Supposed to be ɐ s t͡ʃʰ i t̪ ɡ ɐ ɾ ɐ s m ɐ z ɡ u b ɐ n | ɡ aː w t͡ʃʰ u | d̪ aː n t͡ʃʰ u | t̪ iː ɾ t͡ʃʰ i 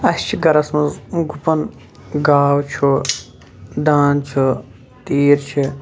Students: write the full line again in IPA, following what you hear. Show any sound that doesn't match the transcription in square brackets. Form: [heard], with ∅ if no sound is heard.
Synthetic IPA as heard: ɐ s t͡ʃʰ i [∅] ɡ ɐ ɾ ɐ s m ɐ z ɡ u [p] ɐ n | ɡ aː w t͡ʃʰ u | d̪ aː n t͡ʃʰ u | t̪ iː ɾ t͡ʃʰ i